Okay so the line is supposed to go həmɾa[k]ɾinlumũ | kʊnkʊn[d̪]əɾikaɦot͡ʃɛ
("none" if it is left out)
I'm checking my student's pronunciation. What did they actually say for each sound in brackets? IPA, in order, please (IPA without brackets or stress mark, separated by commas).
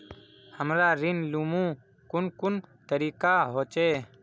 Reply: none, t̪